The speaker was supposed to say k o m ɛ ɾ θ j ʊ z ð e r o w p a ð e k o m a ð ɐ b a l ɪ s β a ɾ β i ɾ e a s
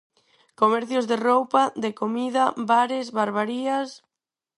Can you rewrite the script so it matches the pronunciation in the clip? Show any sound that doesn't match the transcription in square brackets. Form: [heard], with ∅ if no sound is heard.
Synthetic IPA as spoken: k o m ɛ ɾ θ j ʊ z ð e r o w p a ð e k o m [i] ð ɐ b a [ɾ] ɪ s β a ɾ β [a] ɾ [i] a s